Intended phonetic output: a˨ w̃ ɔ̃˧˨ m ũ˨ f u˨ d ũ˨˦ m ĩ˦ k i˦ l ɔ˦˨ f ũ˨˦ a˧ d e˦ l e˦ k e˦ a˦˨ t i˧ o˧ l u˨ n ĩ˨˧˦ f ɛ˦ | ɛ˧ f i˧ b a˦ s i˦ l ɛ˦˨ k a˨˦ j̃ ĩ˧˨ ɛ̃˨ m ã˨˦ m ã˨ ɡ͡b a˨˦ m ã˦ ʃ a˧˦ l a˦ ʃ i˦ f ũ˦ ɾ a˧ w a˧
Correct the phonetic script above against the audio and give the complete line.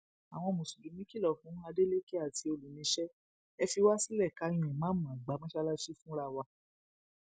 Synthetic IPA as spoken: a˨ w̃ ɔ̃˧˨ m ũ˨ s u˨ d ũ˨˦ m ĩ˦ k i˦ l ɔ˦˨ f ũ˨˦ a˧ d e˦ l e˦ k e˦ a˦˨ t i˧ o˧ l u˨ n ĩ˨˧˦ ʃ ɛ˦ | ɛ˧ f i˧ w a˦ s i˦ l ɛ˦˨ k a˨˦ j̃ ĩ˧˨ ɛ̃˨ m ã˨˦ m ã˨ ɡ͡b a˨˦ m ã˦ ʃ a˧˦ l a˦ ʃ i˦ f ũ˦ ɾ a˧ w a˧